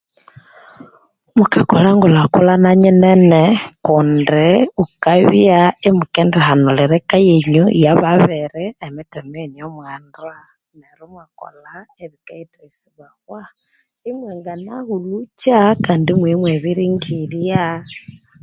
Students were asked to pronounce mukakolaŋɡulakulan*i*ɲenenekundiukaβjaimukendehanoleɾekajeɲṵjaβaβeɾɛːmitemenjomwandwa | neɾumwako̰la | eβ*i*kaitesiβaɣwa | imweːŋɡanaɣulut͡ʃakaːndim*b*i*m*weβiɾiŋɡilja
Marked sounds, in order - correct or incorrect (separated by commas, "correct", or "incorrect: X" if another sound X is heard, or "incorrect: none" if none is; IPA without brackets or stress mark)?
incorrect: a, correct, incorrect: w, correct